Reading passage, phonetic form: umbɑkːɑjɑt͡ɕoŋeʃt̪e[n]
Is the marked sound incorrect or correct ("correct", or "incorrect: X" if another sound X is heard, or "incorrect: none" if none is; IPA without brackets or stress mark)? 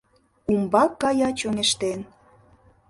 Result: correct